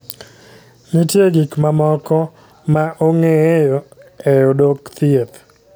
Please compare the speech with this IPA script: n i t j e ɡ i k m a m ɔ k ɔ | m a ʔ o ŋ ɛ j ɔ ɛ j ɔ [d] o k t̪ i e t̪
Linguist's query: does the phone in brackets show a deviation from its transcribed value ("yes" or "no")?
no